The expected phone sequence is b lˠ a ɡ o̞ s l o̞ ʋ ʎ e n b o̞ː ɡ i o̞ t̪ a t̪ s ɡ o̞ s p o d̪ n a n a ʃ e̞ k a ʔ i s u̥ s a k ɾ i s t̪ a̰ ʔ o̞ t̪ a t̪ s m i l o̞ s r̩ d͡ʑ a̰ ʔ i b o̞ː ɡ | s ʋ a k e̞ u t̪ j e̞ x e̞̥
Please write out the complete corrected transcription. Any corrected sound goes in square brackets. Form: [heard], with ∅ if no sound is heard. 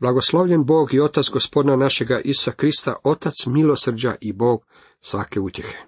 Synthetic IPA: b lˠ a ɡ o̞ s l o̞ ʋ ʎ e n b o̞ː ɡ i o̞ t̪ a t̪ s ɡ o̞ s p o d̪ n a n a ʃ e̞ [ɡ] a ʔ i s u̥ s a k ɾ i s t̪ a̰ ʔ o̞ t̪ a t̪ s m i l o̞ s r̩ d͡ʑ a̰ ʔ i b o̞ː ɡ | s ʋ a k e̞ u t̪ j e̞ x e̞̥